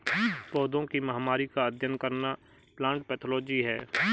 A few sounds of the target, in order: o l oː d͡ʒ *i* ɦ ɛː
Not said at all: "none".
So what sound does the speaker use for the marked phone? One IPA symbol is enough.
i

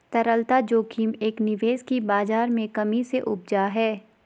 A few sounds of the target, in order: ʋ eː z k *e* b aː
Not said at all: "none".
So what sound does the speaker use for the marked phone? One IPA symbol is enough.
i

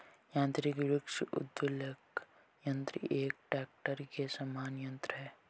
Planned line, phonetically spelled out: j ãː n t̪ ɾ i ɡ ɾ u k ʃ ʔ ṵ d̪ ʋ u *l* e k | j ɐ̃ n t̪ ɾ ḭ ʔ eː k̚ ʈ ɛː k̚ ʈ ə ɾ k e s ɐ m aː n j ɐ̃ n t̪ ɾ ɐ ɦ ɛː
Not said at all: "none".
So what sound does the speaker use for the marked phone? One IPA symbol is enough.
l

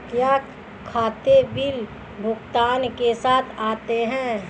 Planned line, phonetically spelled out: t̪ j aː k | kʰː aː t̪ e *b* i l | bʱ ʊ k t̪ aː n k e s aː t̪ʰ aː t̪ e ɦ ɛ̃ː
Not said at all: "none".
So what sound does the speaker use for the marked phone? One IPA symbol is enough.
b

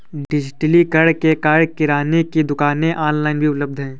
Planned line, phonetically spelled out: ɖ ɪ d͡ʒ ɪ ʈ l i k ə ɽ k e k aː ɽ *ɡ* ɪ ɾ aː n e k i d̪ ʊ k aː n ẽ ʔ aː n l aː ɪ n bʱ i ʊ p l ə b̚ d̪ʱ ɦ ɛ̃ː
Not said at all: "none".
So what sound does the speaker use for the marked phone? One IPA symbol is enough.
k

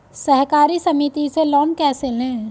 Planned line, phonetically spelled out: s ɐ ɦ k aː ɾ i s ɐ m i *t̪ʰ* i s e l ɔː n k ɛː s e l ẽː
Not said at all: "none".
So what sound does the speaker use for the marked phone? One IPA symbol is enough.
t̪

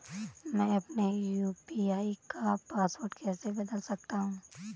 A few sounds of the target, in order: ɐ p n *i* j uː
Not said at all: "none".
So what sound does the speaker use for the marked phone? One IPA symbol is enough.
e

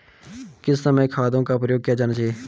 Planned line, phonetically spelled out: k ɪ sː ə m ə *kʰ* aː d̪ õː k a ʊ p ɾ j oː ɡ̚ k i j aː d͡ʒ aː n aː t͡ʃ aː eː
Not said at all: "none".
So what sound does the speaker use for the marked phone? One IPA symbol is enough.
kʰ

